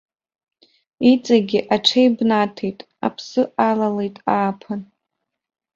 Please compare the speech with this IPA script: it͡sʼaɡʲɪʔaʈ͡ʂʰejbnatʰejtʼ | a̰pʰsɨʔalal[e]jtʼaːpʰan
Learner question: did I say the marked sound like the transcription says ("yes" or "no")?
yes